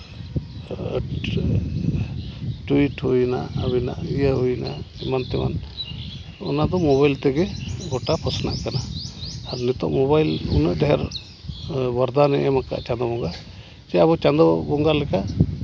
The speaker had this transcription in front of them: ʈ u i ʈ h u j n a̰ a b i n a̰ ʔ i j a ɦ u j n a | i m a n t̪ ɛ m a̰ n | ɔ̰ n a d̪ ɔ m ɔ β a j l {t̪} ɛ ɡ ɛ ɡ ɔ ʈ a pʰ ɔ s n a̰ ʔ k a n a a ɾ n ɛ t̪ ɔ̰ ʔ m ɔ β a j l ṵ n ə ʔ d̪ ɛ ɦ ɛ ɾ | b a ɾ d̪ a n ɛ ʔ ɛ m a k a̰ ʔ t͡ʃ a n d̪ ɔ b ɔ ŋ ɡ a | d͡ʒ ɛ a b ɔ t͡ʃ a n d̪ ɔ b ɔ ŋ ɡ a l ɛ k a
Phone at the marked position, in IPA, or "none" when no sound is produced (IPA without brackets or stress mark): t̪